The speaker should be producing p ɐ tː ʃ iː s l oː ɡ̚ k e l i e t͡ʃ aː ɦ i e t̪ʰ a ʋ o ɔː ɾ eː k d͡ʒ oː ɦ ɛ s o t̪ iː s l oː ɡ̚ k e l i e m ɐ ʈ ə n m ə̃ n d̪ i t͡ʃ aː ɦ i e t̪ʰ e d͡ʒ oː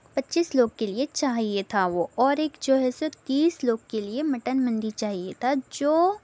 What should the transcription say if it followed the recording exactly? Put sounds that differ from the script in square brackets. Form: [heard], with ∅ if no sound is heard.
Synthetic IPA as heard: p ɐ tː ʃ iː s l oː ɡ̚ k e l i e t͡ʃ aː ɦ i e t̪ʰ a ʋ o ɔː ɾ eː k d͡ʒ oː ɦ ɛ s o t̪ iː s l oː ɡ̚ k e l i e m ɐ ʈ ə n m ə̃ n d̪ i t͡ʃ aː ɦ i e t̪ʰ [a] d͡ʒ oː